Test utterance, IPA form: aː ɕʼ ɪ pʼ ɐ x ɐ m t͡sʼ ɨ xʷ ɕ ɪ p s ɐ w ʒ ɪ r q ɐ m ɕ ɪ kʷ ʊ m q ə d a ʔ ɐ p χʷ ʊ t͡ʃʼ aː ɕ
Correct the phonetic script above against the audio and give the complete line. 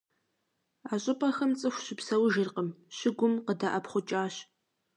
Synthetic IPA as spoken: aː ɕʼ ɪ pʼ ɐ x ɐ m t͡sʼ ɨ xʷ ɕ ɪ p s ɐ w ʒ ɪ r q ə m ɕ ɪ ɡʷ ʊ m q ə d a ʔ ɐ p χʷ ʊ t͡ʃʼ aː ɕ